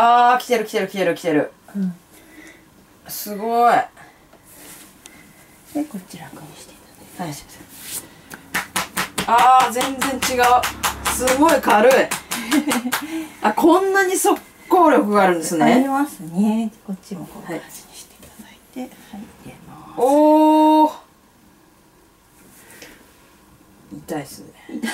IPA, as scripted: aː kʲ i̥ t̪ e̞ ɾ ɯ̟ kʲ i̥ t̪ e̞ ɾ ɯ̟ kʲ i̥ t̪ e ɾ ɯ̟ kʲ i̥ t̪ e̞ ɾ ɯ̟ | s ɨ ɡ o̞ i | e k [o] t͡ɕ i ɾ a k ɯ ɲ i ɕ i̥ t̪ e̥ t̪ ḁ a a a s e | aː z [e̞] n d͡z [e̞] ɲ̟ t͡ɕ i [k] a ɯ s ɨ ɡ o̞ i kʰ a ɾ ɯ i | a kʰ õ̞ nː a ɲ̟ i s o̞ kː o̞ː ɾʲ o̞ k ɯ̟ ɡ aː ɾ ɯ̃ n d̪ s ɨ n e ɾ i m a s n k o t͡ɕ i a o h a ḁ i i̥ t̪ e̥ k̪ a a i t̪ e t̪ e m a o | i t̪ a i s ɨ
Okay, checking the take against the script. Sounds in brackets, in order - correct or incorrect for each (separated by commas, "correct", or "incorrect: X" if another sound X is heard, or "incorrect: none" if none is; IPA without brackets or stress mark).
correct, incorrect: ẽ̞, incorrect: ẽ̞, incorrect: ɡ